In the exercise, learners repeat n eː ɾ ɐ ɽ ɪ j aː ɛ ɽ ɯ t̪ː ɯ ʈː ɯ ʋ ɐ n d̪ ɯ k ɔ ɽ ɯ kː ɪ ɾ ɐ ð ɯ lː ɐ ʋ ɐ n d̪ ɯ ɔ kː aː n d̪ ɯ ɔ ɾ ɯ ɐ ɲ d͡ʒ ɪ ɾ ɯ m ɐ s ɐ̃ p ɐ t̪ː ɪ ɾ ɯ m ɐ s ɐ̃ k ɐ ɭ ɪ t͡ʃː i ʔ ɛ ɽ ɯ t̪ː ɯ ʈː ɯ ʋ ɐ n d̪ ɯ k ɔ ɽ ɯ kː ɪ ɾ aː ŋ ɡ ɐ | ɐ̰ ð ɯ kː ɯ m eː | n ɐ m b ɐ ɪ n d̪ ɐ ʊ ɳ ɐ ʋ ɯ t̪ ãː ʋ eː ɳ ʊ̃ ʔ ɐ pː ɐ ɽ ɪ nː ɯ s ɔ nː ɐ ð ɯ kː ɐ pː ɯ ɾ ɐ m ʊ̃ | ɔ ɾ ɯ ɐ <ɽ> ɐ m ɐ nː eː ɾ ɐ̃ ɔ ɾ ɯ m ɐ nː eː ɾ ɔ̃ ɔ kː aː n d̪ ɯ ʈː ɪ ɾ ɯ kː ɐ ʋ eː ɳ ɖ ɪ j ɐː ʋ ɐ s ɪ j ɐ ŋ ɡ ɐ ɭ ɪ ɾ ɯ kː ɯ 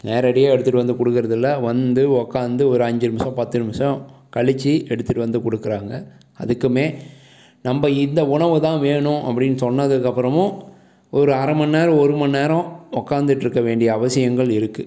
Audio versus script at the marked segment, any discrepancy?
yes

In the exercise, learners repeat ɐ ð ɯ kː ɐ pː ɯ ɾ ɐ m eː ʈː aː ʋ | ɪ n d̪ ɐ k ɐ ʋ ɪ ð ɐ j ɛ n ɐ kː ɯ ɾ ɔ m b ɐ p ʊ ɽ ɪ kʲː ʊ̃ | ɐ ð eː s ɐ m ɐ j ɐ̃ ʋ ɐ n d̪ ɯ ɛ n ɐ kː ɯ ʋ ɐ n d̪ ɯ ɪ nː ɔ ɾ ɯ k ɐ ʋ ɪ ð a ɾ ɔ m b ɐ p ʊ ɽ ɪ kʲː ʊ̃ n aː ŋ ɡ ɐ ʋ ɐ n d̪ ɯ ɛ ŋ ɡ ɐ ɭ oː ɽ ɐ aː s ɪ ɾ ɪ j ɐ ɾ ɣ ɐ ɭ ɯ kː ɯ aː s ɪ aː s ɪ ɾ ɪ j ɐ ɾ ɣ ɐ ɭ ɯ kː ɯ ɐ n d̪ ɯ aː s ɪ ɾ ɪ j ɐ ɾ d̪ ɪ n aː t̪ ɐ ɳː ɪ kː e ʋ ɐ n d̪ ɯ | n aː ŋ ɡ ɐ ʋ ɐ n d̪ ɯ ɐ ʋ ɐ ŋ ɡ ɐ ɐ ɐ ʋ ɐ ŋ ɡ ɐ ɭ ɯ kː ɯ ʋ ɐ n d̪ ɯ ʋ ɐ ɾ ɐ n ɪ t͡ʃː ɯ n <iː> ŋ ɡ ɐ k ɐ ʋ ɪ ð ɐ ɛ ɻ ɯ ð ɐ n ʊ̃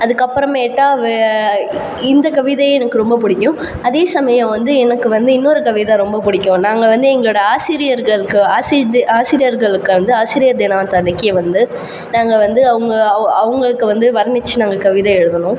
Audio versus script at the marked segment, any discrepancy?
yes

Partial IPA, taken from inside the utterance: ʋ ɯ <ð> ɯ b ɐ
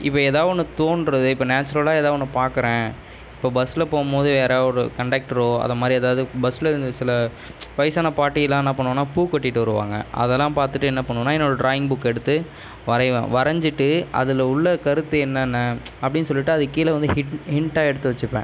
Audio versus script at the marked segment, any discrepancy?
no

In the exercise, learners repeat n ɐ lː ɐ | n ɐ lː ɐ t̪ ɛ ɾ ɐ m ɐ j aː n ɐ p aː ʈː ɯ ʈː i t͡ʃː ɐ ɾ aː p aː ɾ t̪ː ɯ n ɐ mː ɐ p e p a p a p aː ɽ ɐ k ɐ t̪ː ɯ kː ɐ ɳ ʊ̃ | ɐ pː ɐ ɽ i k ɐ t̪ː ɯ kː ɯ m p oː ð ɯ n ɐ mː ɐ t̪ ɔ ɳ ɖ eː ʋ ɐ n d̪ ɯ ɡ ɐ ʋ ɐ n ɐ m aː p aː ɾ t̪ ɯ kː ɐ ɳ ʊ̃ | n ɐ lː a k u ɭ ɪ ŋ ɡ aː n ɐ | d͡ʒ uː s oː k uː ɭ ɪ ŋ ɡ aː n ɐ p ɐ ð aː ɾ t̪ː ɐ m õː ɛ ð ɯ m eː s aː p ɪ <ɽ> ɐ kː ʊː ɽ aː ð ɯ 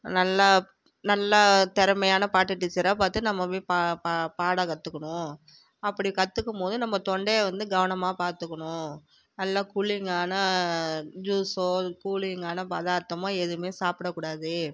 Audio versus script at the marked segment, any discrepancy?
no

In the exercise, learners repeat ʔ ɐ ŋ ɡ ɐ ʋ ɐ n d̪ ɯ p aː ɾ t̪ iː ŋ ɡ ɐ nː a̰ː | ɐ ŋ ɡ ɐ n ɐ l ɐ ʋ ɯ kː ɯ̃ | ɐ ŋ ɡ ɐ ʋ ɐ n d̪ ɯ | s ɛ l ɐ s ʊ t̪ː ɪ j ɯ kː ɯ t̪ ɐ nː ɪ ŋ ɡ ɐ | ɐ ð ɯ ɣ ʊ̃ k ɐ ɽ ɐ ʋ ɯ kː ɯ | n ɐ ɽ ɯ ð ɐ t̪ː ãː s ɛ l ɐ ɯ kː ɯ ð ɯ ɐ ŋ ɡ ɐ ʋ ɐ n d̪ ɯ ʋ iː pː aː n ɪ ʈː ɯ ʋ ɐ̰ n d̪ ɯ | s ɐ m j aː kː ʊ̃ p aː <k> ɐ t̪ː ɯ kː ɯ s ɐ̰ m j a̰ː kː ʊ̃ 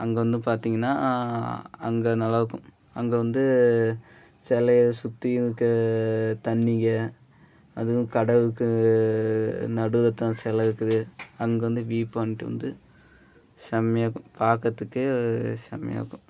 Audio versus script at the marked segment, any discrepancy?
no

